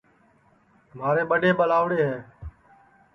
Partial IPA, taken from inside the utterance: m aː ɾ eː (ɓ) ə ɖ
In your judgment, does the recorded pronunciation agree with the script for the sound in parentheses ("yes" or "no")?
yes